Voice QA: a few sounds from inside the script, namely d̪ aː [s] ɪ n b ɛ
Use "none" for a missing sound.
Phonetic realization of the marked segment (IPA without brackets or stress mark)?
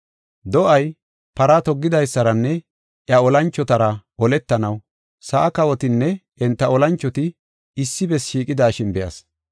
ʃ